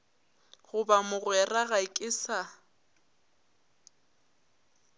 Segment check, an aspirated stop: absent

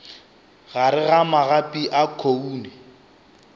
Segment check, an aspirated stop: present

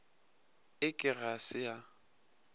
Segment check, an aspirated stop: absent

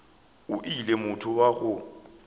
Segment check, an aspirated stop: present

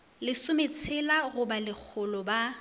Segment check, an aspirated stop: present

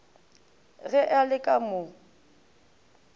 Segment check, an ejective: present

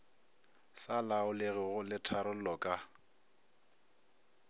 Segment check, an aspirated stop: present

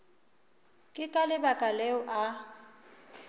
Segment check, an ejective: present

